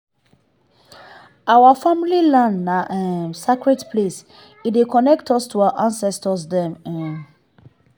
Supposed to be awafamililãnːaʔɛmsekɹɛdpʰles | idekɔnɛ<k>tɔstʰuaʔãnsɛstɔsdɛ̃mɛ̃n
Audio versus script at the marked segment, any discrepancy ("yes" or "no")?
no